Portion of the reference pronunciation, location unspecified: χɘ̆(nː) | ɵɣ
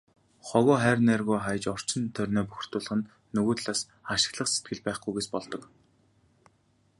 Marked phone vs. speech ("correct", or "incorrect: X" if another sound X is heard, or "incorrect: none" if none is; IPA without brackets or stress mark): correct